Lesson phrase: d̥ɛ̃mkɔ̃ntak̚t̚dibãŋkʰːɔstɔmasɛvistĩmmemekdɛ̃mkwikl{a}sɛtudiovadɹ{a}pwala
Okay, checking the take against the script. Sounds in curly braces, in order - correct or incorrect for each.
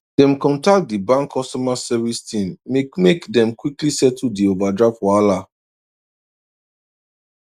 incorrect: i, correct

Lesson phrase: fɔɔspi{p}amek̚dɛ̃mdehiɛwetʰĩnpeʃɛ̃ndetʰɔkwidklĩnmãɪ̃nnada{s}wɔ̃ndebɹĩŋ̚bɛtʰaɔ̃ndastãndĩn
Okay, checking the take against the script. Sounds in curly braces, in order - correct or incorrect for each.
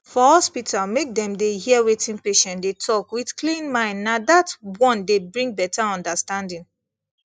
incorrect: t, incorrect: t

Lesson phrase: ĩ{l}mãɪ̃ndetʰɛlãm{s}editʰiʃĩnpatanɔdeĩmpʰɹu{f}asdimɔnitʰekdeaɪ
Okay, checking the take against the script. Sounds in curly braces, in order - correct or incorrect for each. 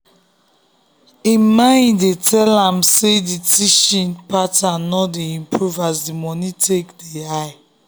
incorrect: none, correct, incorrect: v

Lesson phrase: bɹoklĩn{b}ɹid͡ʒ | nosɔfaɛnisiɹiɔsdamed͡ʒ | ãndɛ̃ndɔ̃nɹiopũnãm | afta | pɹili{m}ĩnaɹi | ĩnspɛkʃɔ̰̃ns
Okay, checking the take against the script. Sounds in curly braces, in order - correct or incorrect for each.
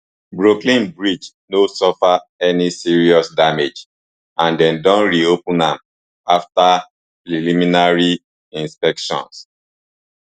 correct, correct

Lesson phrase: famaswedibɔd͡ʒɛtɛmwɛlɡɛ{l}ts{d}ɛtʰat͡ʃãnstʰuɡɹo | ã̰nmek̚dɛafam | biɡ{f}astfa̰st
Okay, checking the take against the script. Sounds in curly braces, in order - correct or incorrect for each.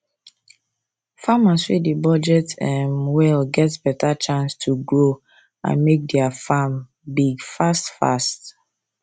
incorrect: none, incorrect: b, correct

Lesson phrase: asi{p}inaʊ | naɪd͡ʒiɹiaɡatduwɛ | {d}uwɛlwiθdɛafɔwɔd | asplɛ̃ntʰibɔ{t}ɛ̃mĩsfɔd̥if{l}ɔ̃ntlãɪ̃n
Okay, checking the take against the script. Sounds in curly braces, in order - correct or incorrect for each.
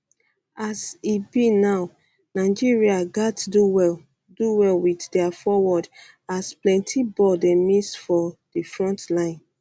incorrect: b, correct, incorrect: d, incorrect: ɹ

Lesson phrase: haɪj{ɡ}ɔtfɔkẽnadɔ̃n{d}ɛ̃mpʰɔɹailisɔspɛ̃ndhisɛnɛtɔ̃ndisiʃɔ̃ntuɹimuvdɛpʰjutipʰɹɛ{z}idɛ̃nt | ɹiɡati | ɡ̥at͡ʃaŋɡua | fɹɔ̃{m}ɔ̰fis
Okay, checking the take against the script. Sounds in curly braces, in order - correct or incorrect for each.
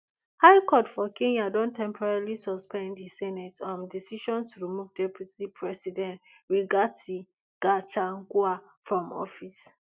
incorrect: k, incorrect: t, incorrect: s, correct

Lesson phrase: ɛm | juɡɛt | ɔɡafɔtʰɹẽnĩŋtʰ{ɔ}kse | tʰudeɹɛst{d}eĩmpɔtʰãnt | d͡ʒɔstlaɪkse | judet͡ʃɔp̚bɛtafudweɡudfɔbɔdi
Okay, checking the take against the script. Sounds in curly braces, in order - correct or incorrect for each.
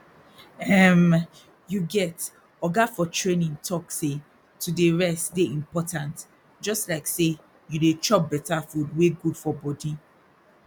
correct, correct

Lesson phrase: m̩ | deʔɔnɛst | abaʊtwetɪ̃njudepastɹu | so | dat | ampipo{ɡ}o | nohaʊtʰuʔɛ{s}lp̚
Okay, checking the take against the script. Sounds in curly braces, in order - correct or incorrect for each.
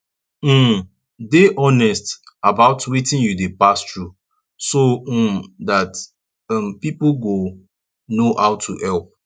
correct, incorrect: none

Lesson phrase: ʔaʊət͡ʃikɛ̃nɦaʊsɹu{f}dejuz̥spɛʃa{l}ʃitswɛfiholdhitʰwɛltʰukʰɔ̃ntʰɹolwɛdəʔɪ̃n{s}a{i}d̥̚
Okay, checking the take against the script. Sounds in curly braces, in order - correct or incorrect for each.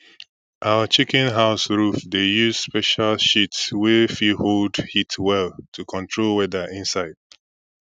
correct, correct, correct, incorrect: ɪ

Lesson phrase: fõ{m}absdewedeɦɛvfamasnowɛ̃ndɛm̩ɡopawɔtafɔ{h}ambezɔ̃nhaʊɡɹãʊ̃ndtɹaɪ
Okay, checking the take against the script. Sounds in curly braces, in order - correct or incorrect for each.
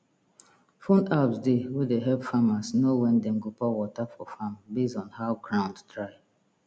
incorrect: n, incorrect: f

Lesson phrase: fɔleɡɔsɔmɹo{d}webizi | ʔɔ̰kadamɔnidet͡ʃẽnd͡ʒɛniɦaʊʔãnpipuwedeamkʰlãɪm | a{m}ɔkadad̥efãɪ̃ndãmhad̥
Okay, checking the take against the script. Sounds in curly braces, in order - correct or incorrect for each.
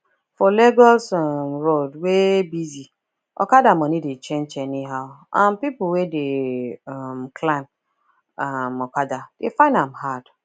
correct, correct

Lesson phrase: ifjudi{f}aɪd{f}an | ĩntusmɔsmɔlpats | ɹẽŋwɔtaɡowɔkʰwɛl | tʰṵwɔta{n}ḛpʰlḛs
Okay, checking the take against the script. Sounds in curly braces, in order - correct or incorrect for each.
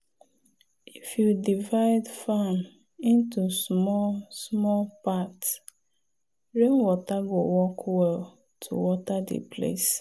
incorrect: v, correct, incorrect: d

